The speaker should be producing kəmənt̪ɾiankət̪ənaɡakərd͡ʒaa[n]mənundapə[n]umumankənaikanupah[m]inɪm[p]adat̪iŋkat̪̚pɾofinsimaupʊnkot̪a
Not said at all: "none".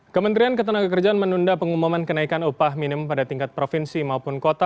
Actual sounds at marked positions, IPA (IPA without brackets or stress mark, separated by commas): n, ŋ, m, p